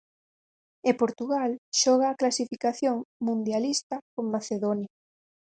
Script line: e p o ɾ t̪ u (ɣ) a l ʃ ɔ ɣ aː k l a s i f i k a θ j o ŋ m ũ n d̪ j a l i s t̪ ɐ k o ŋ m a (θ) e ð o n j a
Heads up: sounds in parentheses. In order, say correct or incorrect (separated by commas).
correct, correct